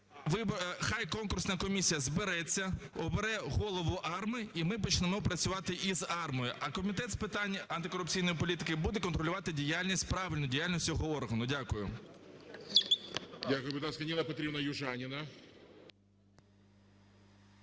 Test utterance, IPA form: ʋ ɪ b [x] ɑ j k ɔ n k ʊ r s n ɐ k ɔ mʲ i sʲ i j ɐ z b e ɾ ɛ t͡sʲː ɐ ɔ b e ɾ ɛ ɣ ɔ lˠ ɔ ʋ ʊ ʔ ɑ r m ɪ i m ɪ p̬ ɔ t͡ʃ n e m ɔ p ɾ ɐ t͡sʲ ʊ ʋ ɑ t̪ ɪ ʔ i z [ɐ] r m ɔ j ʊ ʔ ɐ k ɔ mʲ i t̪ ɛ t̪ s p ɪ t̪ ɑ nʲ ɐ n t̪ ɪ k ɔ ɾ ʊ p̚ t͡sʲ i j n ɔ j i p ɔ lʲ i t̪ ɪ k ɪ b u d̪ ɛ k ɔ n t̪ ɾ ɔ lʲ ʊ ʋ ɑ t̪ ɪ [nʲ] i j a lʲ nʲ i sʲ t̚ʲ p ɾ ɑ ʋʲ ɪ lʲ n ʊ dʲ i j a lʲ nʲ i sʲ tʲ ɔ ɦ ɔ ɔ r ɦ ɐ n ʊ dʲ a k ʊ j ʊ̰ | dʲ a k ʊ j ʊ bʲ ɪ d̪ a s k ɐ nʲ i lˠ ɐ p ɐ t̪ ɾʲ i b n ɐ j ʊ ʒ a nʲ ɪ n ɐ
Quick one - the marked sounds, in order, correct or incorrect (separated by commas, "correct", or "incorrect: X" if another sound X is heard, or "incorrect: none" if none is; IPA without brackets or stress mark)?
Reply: correct, incorrect: ɑ, incorrect: dʲ